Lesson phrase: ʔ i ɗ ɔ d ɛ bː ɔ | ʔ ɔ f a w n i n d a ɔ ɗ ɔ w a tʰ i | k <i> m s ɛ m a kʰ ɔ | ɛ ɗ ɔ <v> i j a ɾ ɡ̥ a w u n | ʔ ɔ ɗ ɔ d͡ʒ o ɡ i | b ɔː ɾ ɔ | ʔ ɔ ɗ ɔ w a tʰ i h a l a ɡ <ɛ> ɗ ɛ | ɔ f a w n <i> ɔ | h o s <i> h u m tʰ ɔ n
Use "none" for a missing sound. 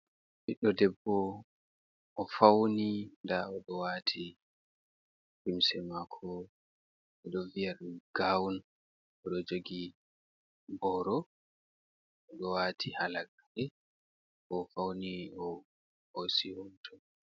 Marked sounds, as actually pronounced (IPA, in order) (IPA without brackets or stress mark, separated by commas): i, v, a, i, i